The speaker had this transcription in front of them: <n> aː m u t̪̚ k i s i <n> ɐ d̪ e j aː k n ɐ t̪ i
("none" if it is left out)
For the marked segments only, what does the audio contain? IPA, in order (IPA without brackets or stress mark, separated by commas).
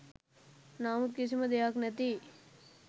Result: n, m